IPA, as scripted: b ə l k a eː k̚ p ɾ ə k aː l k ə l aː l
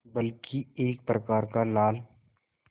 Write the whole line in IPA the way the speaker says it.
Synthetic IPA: b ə l k i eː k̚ p ɾ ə k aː ɾ k a l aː l